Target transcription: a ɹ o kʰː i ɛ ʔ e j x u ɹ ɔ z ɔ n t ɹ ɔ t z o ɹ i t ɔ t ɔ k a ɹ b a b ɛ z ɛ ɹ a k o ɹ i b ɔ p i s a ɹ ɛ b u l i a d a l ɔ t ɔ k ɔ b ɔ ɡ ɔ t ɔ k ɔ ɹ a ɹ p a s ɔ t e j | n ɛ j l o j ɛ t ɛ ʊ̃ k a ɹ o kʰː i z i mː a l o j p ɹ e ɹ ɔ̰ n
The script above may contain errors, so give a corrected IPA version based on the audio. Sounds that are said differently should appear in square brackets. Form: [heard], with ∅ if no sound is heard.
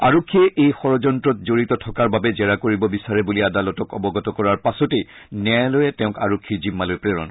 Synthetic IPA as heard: a ɹ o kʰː i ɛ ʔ e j x [ɔ] ɹ ɔ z ɔ n t ɹ ɔ t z o ɹ i t ɔ [tʰ] ɔ k a ɹ b a b ɛ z ɛ ɹ a k o ɹ i b ɔ [b] i s a ɹ ɛ b u l i a d a l ɔ t ɔ k ɔ b ɔ ɡ ɔ t ɔ k ɔ ɹ a ɹ p a s ɔ t e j | n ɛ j l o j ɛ t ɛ ʊ̃ k a ɹ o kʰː i z i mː a l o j p ɹ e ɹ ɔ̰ n